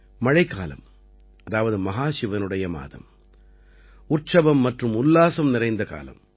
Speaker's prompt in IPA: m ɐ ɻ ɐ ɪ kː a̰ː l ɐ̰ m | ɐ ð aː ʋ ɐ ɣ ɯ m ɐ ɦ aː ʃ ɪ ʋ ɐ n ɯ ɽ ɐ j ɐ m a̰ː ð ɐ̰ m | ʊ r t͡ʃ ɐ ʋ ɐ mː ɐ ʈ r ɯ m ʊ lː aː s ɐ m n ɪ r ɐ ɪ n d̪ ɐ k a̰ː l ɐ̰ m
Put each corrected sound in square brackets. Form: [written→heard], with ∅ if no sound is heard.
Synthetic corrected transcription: m ɐ ɻ ɐ ɪ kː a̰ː l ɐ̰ m | ɐ ð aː ʋ ɐ [ɣ→ð] ɯ m ɐ ɦ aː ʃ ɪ ʋ ɐ n ɯ ɽ ɐ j ɐ m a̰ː ð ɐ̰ m | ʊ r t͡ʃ ɐ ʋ ɐ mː ɐ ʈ r ɯ m ʊ lː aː s ɐ m n ɪ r ɐ ɪ n d̪ ɐ k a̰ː l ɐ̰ m